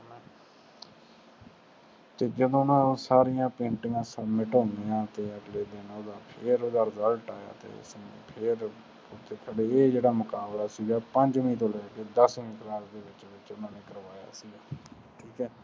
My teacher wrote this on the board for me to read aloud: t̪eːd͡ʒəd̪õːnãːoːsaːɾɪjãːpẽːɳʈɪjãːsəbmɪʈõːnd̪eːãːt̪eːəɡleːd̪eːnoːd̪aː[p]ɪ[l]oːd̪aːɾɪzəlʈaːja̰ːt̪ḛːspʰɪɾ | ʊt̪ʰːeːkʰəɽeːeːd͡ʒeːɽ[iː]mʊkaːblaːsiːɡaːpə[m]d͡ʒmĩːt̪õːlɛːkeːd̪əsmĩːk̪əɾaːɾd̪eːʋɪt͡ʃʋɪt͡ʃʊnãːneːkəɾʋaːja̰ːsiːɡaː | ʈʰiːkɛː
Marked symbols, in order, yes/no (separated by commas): no, no, no, no